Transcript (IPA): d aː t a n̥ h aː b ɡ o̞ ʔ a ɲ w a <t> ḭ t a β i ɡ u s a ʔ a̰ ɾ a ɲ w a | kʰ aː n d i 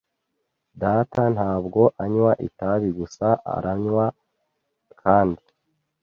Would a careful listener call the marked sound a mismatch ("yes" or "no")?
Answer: yes